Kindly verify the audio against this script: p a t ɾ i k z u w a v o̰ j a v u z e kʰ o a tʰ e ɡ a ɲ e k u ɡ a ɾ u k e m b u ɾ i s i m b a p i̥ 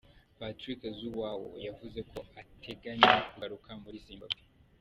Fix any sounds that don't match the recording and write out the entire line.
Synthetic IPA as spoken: p a t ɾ i k z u w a w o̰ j a v u z e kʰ o a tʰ e ɡ a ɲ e k u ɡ a ɾ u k a m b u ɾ i s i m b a p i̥